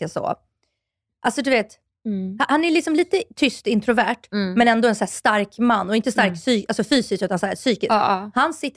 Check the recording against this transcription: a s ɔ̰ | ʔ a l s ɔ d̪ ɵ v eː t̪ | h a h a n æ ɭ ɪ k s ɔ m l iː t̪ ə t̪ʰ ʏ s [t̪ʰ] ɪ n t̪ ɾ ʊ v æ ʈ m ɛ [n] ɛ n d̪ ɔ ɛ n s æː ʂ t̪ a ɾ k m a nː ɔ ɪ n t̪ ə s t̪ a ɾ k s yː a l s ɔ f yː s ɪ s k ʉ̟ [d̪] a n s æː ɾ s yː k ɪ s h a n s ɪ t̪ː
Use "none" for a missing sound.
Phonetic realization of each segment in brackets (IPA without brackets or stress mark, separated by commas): t̪, n, t̪